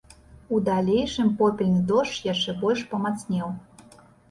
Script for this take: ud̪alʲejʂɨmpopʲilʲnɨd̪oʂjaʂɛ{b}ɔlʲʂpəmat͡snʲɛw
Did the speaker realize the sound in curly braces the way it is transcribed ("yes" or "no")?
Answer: yes